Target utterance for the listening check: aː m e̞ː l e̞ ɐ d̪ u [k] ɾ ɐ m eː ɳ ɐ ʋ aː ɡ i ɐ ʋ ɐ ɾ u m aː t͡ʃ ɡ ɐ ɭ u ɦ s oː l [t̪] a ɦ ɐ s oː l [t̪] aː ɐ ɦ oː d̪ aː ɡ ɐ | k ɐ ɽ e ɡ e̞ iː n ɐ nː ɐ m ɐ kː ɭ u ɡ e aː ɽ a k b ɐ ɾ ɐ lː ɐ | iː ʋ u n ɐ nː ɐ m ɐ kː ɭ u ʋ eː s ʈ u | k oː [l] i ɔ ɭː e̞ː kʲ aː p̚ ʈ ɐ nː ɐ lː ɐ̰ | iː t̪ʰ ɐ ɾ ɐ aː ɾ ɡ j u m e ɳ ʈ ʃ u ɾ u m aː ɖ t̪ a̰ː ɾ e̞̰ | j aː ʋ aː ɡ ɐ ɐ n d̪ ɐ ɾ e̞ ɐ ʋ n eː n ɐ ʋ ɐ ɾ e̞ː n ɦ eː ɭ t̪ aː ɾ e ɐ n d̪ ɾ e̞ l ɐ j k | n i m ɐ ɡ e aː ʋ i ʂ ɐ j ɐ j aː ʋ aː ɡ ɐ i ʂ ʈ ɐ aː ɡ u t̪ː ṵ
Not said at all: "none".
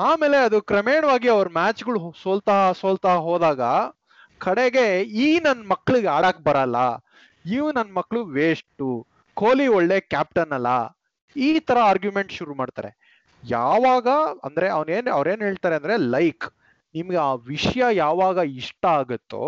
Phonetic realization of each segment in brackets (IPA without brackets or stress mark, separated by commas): k, t̪, t̪, l